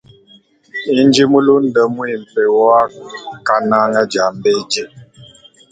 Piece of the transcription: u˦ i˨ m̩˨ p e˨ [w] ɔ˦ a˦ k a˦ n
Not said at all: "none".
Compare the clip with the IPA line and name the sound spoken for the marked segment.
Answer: w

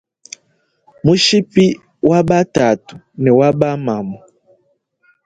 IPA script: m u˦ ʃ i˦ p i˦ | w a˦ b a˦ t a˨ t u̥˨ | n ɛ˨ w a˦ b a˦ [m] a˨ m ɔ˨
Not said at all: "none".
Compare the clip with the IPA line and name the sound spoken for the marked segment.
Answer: m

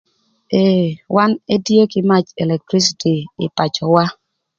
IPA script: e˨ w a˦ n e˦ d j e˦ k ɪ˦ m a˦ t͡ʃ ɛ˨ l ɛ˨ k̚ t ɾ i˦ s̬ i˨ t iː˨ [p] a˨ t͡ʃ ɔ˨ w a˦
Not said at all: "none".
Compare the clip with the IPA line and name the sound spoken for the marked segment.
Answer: p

